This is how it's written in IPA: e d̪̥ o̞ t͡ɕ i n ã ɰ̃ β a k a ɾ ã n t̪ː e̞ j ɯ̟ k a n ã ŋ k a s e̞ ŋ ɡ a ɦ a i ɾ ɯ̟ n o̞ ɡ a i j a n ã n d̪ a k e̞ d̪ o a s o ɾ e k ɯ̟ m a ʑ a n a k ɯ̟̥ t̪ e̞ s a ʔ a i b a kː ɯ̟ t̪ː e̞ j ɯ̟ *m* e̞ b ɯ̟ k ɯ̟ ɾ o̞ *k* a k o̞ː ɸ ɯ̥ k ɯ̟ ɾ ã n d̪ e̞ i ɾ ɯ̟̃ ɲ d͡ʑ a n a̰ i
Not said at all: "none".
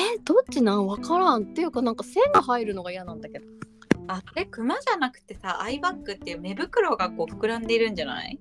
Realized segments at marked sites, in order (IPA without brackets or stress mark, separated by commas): m, ɡ